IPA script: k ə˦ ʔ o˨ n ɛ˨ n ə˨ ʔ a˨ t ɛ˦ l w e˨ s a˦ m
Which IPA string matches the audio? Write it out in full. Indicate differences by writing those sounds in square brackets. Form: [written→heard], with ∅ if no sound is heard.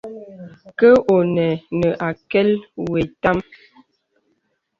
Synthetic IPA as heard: k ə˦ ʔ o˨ n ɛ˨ n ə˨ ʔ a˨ [t→k] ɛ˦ l w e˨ [s→t] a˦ m